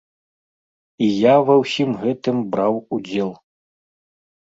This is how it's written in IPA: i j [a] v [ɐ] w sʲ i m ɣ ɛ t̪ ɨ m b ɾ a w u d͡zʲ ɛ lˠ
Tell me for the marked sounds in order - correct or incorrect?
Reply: correct, correct

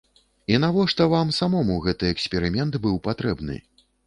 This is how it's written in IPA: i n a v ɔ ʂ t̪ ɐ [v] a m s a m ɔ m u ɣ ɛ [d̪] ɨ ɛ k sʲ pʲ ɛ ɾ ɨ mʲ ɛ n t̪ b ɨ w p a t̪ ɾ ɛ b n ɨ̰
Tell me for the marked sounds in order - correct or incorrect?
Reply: correct, incorrect: t̪

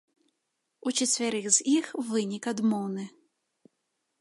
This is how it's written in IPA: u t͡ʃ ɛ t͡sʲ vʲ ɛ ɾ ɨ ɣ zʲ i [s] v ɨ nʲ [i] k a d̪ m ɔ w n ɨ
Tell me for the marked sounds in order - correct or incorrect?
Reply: incorrect: x, correct

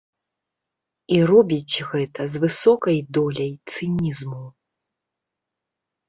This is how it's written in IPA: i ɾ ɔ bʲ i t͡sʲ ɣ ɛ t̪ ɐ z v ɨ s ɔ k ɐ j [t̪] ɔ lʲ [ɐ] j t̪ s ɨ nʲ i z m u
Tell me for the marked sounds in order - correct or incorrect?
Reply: incorrect: d̪, correct

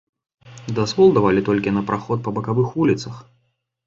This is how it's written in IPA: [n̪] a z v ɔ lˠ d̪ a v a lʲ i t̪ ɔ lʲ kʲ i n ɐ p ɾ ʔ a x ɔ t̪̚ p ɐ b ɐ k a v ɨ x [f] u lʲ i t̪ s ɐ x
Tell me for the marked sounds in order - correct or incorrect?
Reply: incorrect: d̪, incorrect: v

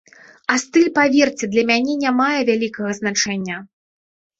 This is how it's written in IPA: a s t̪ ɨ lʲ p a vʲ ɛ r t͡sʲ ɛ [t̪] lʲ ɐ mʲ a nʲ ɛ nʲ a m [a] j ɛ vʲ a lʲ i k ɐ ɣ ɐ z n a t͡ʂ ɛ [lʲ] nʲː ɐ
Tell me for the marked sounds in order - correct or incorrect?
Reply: incorrect: d̪, correct, incorrect: none

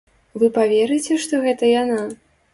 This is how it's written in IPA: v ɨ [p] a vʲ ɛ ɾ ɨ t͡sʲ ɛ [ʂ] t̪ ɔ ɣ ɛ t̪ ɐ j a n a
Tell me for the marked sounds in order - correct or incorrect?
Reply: correct, correct

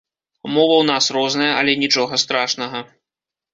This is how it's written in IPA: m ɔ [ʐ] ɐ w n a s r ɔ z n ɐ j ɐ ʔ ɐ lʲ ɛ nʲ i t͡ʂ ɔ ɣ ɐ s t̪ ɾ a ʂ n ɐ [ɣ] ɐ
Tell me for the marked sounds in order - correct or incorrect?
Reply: incorrect: v, correct

